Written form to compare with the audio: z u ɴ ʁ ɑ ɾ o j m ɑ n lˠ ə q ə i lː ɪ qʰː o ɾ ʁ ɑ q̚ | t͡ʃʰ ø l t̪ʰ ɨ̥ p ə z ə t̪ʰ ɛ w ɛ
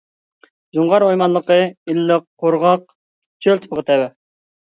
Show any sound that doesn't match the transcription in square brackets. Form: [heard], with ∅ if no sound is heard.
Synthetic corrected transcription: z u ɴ ʁ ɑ ɾ o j m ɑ n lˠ ə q ə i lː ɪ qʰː o ɾ ʁ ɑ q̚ | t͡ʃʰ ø l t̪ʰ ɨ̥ p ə [ʁ] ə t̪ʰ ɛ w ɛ